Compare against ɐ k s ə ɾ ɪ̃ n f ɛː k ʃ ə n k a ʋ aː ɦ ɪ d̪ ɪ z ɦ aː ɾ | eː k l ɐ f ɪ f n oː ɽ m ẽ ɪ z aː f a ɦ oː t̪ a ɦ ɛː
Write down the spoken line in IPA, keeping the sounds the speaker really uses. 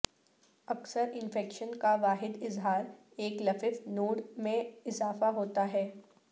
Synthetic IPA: ɐ k s ə ɾ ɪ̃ n f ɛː k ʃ ə n k a ʋ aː ɦ ɪ d̪ ɪ z ɦ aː ɾ | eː k l ɐ f ɪ f n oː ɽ m ẽ ɪ z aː f a ɦ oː t̪ a ɦ ɛː